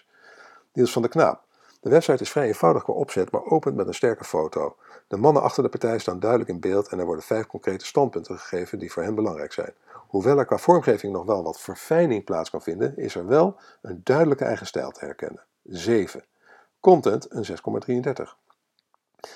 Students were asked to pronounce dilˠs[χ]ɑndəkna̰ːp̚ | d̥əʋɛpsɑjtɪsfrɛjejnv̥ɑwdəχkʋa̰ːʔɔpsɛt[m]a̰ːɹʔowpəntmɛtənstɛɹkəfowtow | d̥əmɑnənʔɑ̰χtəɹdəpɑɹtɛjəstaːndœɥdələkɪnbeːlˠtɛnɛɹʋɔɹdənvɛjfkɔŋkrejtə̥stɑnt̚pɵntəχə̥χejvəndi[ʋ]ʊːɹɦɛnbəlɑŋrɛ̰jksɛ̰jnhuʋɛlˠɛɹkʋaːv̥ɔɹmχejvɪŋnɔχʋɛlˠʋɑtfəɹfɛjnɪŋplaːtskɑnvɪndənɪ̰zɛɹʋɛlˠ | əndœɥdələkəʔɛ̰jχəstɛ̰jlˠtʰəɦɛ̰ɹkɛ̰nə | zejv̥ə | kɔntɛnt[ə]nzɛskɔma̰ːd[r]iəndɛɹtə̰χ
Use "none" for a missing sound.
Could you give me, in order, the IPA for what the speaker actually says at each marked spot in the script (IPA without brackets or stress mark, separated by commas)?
f, m, v, ə, r